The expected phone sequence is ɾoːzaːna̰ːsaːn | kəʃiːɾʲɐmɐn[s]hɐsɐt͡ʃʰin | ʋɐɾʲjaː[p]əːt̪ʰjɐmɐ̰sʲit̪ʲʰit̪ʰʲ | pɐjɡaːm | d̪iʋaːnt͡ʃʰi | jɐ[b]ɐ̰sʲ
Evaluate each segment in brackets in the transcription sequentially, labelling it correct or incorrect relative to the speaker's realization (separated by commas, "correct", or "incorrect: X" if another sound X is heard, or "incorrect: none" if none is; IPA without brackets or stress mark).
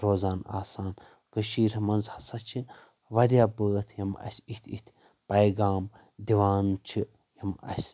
incorrect: z, incorrect: b, incorrect: m